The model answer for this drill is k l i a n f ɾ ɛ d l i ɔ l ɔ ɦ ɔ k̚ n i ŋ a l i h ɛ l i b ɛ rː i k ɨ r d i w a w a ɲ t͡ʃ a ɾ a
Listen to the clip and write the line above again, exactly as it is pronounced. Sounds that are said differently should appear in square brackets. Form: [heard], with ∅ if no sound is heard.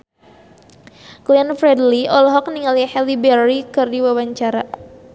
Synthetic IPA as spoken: k l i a n f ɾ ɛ d l i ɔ l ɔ ɦ ɔ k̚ n i ŋ a l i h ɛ l i b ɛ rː i k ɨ r d i w a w a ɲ t͡ʃ a ɾ a

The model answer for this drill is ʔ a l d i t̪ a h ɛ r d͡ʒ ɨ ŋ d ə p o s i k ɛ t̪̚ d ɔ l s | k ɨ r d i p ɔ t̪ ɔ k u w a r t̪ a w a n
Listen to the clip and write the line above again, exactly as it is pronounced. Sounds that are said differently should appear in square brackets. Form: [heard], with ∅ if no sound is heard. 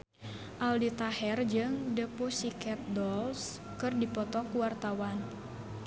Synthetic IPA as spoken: ʔ a l d i t̪ a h ɛ r d͡ʒ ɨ ŋ d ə p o s i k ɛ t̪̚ d ɔ l s | k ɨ r d i p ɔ t̪ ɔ k u w a r t̪ a w a n

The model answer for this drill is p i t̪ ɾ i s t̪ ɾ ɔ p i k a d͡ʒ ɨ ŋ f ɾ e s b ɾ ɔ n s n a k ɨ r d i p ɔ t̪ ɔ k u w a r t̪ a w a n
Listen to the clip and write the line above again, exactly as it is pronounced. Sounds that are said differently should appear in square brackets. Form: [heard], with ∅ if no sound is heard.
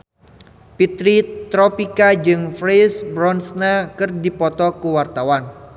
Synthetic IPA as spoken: p i t̪ ɾ i [∅] t̪ ɾ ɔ p i k a d͡ʒ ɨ ŋ f ɾ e s b ɾ ɔ n s n a k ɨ r d i p ɔ t̪ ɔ k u w a r t̪ a w a n

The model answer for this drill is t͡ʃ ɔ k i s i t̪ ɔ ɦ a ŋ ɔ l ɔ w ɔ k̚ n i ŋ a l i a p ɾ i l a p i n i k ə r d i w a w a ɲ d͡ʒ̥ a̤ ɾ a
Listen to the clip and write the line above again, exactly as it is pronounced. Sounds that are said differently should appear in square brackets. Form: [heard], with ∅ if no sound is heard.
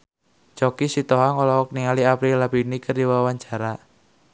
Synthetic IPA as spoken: t͡ʃ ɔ k i s i t̪ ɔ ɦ a ŋ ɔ l ɔ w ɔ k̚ n i ŋ a l i a p ɾ i l a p i n i k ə r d i w a w a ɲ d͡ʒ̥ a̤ ɾ a

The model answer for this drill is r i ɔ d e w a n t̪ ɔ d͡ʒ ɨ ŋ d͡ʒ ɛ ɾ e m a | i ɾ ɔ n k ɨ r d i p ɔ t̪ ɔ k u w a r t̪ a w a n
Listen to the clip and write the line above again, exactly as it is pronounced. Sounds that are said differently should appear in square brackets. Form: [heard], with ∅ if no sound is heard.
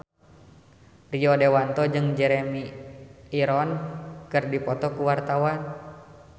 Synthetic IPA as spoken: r i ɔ d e w a n t̪ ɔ d͡ʒ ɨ ŋ d͡ʒ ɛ ɾ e m [i] | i ɾ ɔ n k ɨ r d i p ɔ t̪ ɔ k u w a r t̪ a w a n

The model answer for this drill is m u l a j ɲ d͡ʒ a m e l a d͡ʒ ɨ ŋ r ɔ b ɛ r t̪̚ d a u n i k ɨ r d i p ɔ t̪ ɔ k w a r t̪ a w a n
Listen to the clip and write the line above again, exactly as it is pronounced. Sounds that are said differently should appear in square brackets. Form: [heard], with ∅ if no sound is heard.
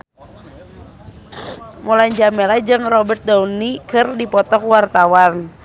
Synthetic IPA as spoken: m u l a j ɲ d͡ʒ a m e l a d͡ʒ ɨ ŋ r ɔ b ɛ r t̪̚ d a u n i k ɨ r d i p ɔ t̪ ɔ k w a r t̪ a w a n

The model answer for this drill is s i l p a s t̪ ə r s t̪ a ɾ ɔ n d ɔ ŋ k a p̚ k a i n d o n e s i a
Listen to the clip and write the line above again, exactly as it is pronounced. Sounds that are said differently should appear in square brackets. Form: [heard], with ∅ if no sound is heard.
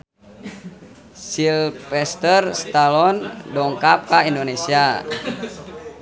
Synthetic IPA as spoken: s i l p [ɛ] s t̪ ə r s t̪ a [l] ɔ n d ɔ ŋ k a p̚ k a i n d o n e s i a

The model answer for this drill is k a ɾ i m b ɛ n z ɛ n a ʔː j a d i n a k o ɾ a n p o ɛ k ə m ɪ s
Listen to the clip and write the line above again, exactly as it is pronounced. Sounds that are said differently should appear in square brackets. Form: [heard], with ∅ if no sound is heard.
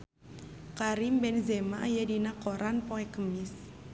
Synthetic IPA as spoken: k a ɾ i m b ɛ n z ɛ [m] a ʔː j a d i n a k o ɾ a n p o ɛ k ə m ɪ s

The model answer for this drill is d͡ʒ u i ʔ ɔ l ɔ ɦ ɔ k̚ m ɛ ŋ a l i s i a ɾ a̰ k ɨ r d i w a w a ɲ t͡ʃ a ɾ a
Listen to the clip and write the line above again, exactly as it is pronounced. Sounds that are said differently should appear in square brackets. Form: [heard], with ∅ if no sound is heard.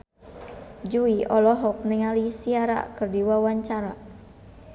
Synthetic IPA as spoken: d͡ʒ u i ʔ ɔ l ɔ ɦ ɔ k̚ [n] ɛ ŋ a l i s i a ɾ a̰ k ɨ r d i w a w a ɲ t͡ʃ a ɾ a

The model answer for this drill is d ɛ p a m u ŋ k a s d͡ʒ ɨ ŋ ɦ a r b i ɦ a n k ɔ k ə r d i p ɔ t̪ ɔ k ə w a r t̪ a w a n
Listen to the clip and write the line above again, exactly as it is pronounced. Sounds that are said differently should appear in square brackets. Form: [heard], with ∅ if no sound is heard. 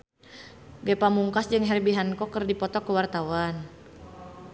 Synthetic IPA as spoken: [ɡ] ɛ p a m u ŋ k a s d͡ʒ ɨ ŋ ɦ [ɛ] r b i ɦ a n k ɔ k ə r d i p ɔ t̪ ɔ k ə w a r t̪ a w a n

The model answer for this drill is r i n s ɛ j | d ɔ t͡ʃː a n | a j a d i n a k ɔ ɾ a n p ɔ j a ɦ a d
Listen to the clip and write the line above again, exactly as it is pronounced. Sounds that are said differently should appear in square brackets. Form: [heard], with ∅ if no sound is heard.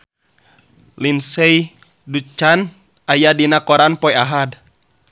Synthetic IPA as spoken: [l] i n s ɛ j | d [u] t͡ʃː a n | a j a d i n a k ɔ ɾ a n p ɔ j a ɦ a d

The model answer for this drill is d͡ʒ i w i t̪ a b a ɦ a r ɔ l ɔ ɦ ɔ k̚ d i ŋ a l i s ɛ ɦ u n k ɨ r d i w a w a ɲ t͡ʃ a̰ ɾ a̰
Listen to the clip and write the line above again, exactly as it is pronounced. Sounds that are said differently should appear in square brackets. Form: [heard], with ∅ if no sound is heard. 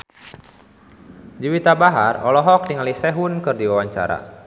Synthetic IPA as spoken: d͡ʒ i w i t̪ a b a ɦ a r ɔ l ɔ ɦ ɔ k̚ d i ŋ a l i s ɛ ɦ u n k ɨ r d i w a w a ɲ t͡ʃ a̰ ɾ a̰

